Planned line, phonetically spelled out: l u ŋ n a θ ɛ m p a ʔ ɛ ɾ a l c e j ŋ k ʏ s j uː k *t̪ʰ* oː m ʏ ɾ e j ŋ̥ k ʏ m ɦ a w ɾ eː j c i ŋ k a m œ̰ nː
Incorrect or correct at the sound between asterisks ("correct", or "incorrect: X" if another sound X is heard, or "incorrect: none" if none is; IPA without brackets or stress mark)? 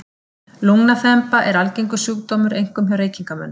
incorrect: t̪